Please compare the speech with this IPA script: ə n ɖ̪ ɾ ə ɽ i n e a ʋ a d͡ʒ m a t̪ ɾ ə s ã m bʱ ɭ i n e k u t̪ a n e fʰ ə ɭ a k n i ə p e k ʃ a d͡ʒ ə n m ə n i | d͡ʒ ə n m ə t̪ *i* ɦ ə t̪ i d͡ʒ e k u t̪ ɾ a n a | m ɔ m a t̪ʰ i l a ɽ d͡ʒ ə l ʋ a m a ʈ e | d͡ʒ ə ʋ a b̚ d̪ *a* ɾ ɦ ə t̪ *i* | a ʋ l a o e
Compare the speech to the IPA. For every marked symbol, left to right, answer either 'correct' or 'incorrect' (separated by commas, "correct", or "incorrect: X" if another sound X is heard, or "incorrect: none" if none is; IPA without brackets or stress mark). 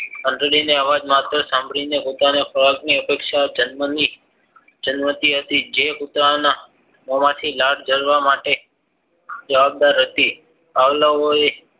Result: correct, correct, correct